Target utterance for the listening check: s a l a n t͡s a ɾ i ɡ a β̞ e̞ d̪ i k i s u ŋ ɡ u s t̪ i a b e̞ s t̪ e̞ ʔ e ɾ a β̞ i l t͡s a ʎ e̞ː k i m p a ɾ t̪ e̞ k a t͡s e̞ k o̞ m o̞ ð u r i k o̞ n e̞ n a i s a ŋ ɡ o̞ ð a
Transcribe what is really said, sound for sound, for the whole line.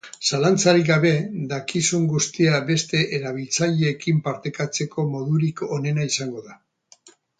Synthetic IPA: s a l a n t͡s a ɾ i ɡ a β̞ e̞ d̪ a k i s u ŋ ɡ u s t̪ i a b e̞ s t̪ e̞ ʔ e ɾ a β̞ i l t͡s a ʎ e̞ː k i m p a ɾ t̪ e̞ k a t͡s e̞ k o̞ m o̞ ð u ɾ i k o̞ n e̞ n a i s a ŋ ɡ o̞ ð a